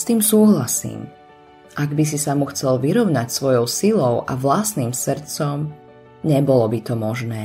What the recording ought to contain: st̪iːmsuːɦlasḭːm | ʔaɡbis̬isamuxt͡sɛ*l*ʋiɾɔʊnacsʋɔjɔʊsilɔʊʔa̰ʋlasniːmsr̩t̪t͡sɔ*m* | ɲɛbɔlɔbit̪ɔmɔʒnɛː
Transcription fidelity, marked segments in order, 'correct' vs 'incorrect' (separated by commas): correct, correct